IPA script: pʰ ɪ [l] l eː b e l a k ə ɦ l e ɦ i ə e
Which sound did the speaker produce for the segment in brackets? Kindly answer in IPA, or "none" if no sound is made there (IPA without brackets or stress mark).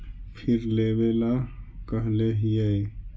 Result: ɾ